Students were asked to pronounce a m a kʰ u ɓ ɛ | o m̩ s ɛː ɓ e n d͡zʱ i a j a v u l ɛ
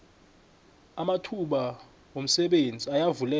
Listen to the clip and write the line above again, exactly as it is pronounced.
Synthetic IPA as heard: a m a tʰ u ɓ a | o m̩ s ɛ ɓ e n d͡zʱ i a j a v u l ɛ